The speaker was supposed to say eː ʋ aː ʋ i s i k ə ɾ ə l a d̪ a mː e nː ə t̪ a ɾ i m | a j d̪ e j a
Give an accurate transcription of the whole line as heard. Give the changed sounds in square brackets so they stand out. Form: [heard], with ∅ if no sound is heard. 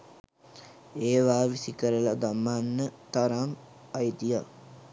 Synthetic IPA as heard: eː ʋ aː ʋ i s i k ə ɾ ə l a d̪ a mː [a] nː ə t̪ a ɾ [a] m | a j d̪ [i] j a